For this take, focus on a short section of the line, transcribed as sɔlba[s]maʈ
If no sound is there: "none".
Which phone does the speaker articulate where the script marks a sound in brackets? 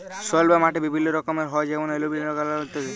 none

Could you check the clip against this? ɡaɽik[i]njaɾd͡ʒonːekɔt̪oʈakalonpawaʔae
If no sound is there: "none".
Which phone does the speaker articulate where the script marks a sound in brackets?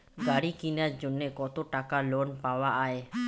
i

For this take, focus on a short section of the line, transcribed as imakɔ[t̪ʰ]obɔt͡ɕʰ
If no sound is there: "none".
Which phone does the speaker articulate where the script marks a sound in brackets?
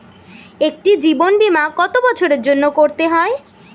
t̪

